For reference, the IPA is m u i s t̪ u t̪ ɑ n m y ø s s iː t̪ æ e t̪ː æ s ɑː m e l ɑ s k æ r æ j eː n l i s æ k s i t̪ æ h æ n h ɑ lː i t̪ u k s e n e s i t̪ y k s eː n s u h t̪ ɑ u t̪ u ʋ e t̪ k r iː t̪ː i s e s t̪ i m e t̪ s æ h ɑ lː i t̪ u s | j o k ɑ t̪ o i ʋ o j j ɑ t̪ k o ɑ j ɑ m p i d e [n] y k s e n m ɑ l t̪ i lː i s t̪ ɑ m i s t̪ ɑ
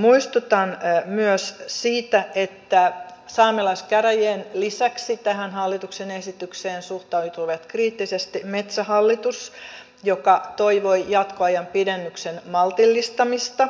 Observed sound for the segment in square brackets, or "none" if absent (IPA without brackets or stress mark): nː